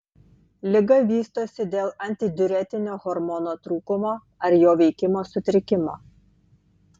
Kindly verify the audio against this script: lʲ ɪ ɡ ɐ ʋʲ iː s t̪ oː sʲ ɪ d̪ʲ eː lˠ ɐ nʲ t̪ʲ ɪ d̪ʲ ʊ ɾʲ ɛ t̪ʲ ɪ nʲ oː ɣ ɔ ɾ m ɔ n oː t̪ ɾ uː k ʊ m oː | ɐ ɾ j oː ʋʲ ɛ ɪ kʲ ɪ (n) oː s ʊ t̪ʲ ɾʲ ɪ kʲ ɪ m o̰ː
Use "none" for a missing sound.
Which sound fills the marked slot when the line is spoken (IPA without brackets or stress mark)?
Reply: m